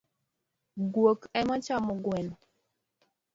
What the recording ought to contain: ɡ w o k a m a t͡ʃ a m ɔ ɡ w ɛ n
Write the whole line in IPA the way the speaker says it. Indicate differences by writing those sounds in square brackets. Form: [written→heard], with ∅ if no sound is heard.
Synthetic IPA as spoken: ɡ w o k [a→ɛ] m a t͡ʃ a m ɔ ɡ w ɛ n

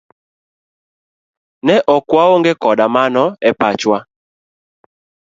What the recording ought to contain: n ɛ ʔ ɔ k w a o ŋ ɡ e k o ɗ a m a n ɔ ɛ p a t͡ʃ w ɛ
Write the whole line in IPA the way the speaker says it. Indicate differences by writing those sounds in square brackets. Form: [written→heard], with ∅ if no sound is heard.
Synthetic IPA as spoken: n ɛ ʔ ɔ k w a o ŋ ɡ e k [o→ɔ] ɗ a m a n ɔ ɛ p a t͡ʃ w [ɛ→a]

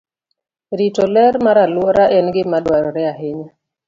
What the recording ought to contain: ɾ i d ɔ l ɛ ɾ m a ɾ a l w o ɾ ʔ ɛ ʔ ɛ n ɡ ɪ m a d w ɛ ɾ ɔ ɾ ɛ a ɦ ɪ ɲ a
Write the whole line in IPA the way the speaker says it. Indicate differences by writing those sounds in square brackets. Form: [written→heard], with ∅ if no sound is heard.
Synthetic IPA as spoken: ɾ i [d→t] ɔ l ɛ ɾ m a ɾ a l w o ɾ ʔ [ɛ→a] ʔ ɛ n ɡ ɪ m a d w [ɛ→a] ɾ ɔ ɾ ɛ a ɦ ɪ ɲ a

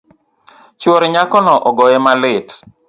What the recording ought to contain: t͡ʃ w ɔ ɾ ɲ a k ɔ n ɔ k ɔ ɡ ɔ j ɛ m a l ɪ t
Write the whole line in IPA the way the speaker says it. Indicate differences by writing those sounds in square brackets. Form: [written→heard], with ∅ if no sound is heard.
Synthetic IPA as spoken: t͡ʃ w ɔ ɾ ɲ a k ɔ n ɔ [k→ʔ] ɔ ɡ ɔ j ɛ m a l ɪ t

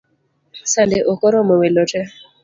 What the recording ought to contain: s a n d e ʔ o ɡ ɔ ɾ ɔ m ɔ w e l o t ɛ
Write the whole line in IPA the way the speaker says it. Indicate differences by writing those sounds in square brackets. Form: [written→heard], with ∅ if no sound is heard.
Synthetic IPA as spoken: s a n d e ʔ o [ɡ→k] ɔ ɾ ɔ m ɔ w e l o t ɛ

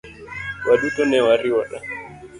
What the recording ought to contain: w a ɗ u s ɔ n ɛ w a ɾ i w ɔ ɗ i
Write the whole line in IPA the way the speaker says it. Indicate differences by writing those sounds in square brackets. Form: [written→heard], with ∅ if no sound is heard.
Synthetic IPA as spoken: w a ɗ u [s→t] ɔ n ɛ w a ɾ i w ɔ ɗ [i→a]

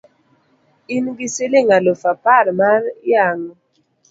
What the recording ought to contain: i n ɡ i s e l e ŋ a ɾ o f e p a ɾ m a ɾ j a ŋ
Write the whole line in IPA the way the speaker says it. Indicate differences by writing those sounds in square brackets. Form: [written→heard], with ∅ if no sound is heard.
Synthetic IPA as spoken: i n ɡ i s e l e ŋ a [ɾ→l] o f [e→a] p a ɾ m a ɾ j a ŋ

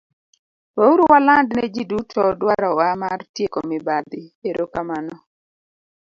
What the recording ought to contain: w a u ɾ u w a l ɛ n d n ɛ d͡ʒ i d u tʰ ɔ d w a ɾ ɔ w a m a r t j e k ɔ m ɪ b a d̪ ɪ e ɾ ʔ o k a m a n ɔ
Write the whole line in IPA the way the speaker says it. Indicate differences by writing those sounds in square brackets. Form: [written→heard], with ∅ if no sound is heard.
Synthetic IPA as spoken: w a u ɾ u w a l [ɛ→a] n d n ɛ d͡ʒ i d u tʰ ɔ d w a ɾ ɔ w a m a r t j e k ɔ m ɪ b a d̪ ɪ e ɾ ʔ o k a m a n ɔ

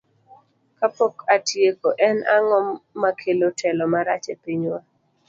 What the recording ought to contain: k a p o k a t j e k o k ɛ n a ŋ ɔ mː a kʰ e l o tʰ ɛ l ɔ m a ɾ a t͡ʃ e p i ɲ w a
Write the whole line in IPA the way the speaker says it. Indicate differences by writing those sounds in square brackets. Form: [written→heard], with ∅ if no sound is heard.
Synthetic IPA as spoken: k a p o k a t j e k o [k→ʔ] ɛ n a ŋ ɔ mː a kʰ e l o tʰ ɛ l ɔ m a ɾ a t͡ʃ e p i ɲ w a

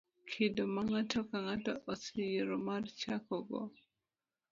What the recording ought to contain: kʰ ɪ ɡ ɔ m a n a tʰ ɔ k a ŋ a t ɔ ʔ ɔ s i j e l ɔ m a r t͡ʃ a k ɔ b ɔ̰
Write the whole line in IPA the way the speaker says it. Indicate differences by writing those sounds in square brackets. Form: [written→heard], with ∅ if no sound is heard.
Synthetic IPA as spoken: kʰ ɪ [ɡ→d] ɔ m a [n→ŋ] a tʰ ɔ k a ŋ a t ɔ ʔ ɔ s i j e [l→ɾ] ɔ m a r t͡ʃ a k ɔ [b→ɡ] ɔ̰

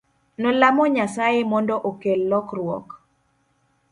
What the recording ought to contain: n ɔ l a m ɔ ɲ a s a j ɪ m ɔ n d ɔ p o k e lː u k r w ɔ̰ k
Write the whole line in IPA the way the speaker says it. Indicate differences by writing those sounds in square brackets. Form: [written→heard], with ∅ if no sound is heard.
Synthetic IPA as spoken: n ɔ l a m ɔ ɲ a s a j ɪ m ɔ n d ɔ [p→ʔ] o k e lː [u→ɔ] k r w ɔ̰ k

